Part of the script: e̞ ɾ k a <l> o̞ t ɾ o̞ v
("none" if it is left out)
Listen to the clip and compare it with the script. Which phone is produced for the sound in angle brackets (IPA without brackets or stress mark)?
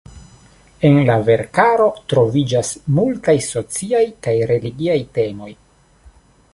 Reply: ɾ